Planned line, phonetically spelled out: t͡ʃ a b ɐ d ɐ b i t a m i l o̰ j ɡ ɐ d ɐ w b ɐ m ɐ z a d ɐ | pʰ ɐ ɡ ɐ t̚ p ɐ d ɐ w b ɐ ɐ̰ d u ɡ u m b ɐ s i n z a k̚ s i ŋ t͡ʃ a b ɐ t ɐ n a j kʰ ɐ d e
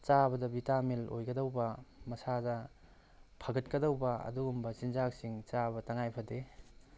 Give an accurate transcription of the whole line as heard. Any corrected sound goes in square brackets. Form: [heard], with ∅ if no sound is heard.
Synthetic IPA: t͡ʃ a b ɐ d ɐ b i t a m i l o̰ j ɡ ɐ d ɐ w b ɐ m ɐ [s] a d ɐ | pʰ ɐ ɡ ɐ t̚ [k] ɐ d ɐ w b ɐ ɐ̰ d u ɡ u m b ɐ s i n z a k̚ s i ŋ t͡ʃ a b ɐ t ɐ [ŋ] a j [pʰ] ɐ d e